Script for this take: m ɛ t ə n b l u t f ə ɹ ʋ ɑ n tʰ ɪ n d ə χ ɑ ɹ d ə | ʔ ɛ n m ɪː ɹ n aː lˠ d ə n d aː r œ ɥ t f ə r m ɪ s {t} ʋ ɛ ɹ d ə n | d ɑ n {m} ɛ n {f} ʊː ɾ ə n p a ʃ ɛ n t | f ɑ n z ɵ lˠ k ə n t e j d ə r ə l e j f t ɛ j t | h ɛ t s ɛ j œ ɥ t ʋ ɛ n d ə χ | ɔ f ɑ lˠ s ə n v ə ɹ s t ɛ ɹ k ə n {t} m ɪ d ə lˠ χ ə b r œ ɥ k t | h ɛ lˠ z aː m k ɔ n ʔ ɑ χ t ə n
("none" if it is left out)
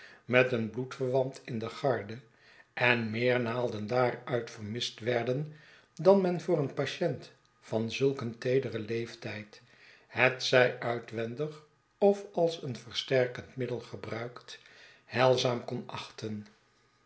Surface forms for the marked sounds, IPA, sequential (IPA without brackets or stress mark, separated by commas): t, m, v, t